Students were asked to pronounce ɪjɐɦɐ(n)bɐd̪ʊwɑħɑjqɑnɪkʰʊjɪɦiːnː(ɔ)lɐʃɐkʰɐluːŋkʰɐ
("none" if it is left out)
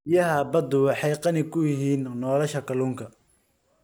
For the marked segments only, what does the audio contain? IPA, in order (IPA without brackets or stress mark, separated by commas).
none, ɔː